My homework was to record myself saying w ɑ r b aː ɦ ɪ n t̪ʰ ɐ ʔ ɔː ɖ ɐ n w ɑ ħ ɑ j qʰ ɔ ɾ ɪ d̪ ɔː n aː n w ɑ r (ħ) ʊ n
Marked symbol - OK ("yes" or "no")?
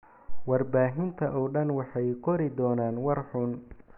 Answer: yes